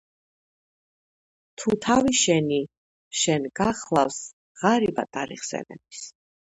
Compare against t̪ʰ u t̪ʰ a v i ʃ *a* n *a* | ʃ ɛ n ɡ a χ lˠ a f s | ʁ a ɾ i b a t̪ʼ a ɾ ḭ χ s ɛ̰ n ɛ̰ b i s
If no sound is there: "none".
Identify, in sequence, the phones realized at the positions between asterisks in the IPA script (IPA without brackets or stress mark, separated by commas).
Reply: ɛ, i